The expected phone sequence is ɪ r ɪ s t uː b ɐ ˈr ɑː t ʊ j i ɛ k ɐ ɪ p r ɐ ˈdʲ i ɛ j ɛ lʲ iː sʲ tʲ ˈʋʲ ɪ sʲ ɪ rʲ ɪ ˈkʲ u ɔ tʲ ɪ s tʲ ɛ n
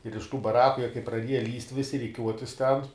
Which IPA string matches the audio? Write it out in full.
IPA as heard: ɪ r ɪ ʃ t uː b ɐ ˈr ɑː k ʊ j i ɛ k ɐ ɪ p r ɐ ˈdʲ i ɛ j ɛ lʲ iː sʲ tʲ ˈʋʲ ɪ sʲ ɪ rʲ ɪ ˈkʲ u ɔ tʲ ɪ s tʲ ɛ n